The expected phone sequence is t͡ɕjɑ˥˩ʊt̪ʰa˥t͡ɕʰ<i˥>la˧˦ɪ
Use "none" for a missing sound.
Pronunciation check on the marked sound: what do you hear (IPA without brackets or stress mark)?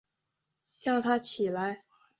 i˨˩